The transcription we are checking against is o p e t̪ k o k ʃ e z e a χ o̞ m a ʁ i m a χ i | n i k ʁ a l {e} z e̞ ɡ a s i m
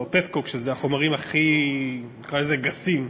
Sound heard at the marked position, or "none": e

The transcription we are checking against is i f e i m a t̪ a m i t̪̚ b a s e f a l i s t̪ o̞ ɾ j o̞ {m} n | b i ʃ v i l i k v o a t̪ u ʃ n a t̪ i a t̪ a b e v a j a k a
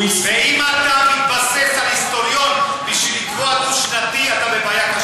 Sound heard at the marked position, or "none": none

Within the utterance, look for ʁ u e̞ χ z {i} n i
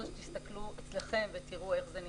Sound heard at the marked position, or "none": e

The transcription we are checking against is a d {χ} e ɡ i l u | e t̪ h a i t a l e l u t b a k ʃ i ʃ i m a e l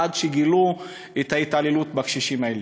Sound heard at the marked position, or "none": ʃ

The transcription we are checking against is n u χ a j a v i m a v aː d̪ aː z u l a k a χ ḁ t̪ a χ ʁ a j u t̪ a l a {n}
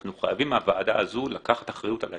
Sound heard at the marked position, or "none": none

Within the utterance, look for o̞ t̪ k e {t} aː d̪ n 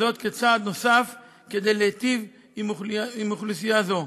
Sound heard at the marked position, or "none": t͡s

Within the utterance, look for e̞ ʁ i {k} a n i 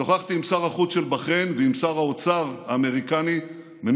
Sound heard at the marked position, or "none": k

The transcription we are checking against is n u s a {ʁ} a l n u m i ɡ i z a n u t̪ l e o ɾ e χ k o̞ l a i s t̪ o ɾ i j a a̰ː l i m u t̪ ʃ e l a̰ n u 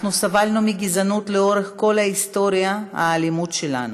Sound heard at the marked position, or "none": v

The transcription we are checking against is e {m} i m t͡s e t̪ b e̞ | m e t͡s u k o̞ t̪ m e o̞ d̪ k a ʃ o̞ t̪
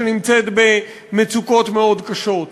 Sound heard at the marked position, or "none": n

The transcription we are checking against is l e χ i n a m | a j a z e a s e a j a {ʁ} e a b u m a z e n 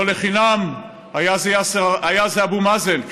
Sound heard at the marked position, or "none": z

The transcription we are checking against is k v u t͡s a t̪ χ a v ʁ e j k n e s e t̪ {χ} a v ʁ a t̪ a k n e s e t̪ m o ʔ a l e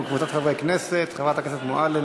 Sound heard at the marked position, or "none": χ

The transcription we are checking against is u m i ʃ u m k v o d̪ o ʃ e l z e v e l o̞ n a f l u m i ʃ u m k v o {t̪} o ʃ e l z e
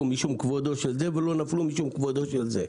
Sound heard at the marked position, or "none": d̪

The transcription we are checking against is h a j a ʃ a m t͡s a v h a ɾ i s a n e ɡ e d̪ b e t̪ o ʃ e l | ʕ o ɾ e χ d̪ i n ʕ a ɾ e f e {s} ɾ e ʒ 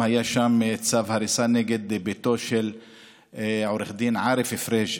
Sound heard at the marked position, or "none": f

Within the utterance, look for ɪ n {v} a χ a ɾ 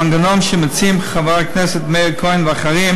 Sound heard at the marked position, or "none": v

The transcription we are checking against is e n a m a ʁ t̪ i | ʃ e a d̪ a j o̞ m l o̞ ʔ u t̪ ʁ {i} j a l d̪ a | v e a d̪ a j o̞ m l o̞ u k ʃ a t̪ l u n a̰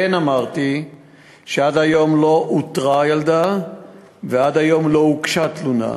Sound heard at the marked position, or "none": a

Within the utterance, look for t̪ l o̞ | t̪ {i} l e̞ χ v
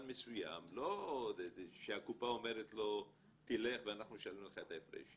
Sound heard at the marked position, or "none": i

